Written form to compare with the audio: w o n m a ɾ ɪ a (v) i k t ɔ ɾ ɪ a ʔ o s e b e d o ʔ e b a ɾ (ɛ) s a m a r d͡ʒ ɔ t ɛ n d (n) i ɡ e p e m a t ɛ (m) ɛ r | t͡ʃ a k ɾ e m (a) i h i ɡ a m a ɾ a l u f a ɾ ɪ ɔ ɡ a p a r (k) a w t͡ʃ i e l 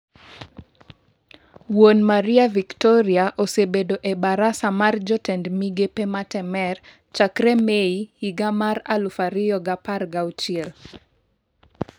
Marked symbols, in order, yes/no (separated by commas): yes, no, no, yes, no, no